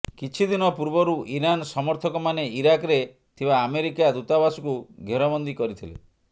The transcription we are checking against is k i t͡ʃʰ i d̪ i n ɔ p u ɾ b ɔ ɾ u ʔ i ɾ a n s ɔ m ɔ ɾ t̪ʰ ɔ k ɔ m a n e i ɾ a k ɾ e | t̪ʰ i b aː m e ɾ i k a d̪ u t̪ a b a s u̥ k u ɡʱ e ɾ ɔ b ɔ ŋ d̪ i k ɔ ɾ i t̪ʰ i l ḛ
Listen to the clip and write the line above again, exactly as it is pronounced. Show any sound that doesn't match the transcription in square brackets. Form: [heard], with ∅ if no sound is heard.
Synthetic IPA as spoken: k i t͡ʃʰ i d̪ i n ɔ p u ɾ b ɔ ɾ u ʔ i ɾ a n s ɔ m ɔ ɾ t̪ʰ ɔ k ɔ m a n e i ɾ a k ɾ e | t̪ʰ i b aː m e ɾ i k a d̪ u t̪ a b a s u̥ k u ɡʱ e ɾ ɔ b ɔ [n] d̪ i k ɔ ɾ i t̪ʰ i l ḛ

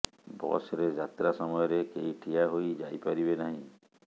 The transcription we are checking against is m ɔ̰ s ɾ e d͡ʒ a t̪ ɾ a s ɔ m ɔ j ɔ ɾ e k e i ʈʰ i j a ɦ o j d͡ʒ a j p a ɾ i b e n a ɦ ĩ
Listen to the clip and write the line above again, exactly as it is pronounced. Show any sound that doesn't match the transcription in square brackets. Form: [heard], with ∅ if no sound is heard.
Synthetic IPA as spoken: [b] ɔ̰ s ɾ e d͡ʒ a t̪ ɾ a s ɔ m ɔ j ɔ ɾ e k e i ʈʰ i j a ɦ o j d͡ʒ a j p a ɾ i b e n a ɦ ĩ

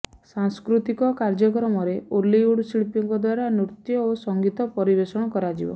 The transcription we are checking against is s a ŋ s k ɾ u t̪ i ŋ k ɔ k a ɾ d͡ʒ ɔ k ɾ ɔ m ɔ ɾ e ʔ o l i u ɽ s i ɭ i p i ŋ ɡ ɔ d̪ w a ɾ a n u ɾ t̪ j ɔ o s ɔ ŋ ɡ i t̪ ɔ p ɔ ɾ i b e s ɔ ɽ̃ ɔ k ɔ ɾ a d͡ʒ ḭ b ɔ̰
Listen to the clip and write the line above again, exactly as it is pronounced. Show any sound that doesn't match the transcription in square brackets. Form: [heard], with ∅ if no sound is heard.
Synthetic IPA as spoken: s a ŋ s k ɾ u t̪ i [∅] k ɔ k a ɾ d͡ʒ ɔ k ɾ ɔ m ɔ ɾ e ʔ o l i u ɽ s i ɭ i p i ŋ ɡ ɔ d̪ w a ɾ a n u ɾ t̪ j ɔ o s ɔ ŋ ɡ i t̪ ɔ p ɔ ɾ i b e s ɔ ɽ̃ ɔ k ɔ ɾ a d͡ʒ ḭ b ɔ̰

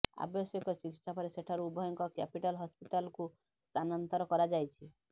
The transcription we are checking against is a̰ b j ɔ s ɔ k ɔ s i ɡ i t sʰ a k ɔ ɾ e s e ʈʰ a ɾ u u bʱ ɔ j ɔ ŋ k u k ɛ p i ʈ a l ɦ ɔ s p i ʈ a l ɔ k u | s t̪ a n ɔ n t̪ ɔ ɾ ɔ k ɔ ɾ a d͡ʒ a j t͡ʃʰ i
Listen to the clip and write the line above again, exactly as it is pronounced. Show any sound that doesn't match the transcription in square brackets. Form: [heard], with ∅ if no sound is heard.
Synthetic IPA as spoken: a̰ b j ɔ s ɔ k ɔ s i [k] i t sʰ a [p] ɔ ɾ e s e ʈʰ a ɾ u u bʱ ɔ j ɔ ŋ k [ɔ] k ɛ p i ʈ a l ɦ ɔ s p i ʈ a l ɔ k u | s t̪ a n ɔ n t̪ ɔ ɾ ɔ k ɔ ɾ a d͡ʒ a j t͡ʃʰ i

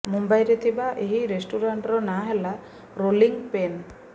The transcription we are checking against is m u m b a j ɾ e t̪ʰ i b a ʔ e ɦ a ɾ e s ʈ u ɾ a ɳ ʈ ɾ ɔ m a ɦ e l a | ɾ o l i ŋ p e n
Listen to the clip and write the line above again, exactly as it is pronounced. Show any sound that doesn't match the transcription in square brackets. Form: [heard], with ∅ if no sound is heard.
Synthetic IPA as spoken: m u m b a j ɾ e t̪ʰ i b a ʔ e ɦ [i] ɾ e s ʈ u ɾ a ɳ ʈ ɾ ɔ [n] a ɦ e l a | ɾ o l i ŋ p e n

